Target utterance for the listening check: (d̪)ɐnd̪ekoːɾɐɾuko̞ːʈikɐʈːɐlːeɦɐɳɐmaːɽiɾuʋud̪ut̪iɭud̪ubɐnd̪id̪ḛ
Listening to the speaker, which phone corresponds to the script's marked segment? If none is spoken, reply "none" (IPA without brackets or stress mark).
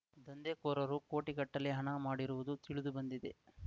d̪